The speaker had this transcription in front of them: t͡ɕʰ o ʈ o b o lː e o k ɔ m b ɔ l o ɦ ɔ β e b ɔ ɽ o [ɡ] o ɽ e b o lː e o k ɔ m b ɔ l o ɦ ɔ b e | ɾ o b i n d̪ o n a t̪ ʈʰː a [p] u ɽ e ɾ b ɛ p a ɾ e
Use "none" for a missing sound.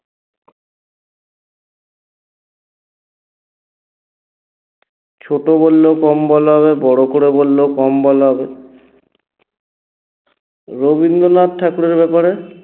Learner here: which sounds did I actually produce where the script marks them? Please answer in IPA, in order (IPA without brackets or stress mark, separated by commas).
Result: k, k